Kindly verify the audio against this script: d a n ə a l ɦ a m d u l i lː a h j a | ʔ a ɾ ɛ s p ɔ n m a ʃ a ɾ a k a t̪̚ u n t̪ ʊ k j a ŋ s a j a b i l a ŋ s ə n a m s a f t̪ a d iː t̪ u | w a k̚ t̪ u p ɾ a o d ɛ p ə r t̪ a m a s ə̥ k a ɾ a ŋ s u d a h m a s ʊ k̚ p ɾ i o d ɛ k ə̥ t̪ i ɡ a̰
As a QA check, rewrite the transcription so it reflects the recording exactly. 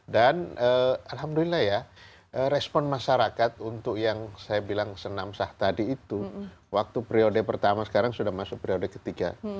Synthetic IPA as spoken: d a n ə a l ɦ a m d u l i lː a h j a | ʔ ə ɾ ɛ s p ɔ n m a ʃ a ɾ a k a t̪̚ u n t̪ ʊ k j a ŋ s a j a b i l a ŋ s ə n a m s a h t̪ a d iː t̪ u | w a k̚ t̪ u p ɾ i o d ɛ p ə r t̪ a m a s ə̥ k a ɾ a ŋ s u d a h m a s ʊ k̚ p ɾ i o d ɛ k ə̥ t̪ i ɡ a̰